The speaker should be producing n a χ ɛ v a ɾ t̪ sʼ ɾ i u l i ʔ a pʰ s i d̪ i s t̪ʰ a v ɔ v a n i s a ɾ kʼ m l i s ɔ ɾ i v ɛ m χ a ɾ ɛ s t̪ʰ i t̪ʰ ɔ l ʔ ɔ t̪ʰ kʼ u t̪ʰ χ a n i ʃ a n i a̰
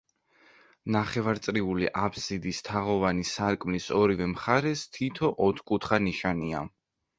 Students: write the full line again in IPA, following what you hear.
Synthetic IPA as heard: n a χ ɛ v a ɾ t̪ sʼ ɾ i u l i ʔ a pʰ s i d̪ i s t̪ʰ a ʁ ɔ v a n i s a ɾ kʼ m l i s ɔ ɾ i v ɛ m χ a ɾ ɛ s t̪ʰ i t̪ʰ ɔ ʔ ɔ t̪ʰ kʼ u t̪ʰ χ a n i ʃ a n i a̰